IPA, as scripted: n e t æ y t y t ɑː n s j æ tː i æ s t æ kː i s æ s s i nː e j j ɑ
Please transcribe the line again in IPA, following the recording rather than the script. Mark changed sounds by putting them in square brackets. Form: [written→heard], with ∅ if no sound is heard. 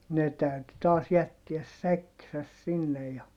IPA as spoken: n e t æ y t y t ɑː [n→∅] s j æ tː i æ s [t→s] æ kː i s æ s s i nː e j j ɑ